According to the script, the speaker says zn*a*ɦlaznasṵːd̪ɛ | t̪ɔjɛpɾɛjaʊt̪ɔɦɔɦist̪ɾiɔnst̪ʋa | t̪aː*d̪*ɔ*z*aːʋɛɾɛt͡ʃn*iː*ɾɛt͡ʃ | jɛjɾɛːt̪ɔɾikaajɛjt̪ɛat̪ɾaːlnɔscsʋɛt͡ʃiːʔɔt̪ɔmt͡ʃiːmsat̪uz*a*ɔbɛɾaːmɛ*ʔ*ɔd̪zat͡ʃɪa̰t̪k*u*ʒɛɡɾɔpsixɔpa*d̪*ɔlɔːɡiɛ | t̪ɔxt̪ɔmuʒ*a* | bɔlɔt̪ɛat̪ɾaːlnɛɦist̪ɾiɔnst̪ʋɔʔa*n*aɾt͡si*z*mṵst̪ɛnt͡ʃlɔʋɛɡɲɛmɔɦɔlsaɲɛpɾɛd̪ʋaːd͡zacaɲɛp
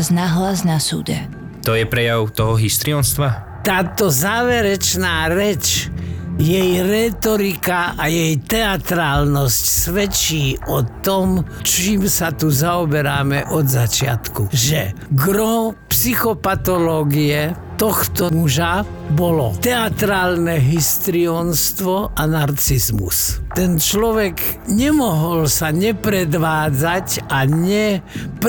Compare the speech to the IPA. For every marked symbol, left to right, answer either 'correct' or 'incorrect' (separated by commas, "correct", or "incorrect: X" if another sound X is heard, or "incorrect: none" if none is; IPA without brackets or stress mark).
correct, incorrect: t̪, correct, incorrect: aː, correct, correct, correct, incorrect: t̪, correct, correct, correct